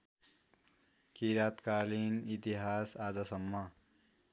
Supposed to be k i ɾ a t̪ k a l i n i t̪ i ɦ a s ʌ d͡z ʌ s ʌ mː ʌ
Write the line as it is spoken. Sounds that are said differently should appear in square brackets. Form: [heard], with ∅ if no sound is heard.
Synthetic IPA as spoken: k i ɾ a t̪ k a l i n i t̪ i ɦ a s [a] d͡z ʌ s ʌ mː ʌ